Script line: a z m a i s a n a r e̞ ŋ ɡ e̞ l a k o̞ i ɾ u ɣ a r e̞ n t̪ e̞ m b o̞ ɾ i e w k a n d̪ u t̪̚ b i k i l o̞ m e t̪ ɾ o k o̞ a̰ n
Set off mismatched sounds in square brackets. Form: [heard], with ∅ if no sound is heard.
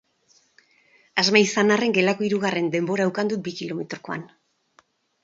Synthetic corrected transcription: a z m a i s a n a r e̞ ŋ ɡ e̞ l a k o̞ i ɾ u ɣ a r e̞ n [d̪] e̞ m b o̞ ɾ [a] e w k a n d̪ u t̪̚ b i k i l o̞ m e t̪ ɾ o k o̞ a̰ n